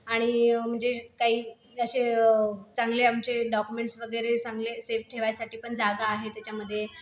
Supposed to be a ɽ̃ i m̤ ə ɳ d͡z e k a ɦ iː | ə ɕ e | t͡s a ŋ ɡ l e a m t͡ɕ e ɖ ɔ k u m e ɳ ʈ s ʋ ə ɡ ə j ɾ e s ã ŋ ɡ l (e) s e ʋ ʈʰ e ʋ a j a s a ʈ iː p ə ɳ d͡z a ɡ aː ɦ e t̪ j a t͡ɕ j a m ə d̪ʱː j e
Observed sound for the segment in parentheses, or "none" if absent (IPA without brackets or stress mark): e